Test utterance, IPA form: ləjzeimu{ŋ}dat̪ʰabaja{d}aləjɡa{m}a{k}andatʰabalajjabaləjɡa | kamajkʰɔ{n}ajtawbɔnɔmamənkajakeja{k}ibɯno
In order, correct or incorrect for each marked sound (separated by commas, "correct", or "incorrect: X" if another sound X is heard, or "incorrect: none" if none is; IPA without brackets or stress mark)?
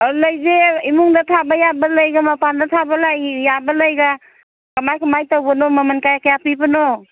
correct, incorrect: b, correct, incorrect: p, incorrect: m, incorrect: p